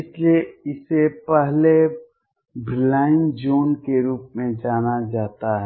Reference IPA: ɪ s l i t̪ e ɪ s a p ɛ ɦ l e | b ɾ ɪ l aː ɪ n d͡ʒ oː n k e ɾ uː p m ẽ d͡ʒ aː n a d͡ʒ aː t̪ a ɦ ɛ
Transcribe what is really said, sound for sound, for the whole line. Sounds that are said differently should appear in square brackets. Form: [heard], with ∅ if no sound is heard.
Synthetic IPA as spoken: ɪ s l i [∅] e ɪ s [e] p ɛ ɦ l e | b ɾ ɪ l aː ɪ n d͡ʒ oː n k e ɾ uː p m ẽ d͡ʒ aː n a d͡ʒ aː t̪ a ɦ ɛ